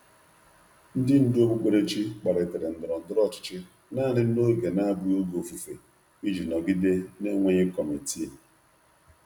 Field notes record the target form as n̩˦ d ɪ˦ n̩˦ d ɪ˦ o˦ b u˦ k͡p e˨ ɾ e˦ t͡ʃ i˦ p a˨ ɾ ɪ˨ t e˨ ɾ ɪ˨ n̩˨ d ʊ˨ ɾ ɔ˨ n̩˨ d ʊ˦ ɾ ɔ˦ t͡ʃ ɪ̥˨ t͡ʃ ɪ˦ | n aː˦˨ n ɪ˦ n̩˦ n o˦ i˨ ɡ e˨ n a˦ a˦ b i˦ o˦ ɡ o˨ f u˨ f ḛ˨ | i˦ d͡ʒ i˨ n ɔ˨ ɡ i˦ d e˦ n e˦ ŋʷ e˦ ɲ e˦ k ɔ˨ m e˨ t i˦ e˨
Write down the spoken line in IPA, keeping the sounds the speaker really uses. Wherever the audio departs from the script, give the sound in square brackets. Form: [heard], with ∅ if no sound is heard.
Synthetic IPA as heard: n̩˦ d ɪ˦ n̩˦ d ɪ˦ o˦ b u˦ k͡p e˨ ɾ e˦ t͡ʃ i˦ [k͡p] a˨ ɾ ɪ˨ t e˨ ɾ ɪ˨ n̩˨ d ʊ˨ ɾ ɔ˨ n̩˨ d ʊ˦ ɾ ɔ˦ t͡ʃ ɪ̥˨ t͡ʃ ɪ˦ | n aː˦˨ n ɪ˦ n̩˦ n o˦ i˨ ɡ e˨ n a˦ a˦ b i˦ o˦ ɡ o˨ f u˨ f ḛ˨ | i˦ d͡ʒ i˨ n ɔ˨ ɡ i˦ d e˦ n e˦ ŋʷ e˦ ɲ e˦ k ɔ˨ m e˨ t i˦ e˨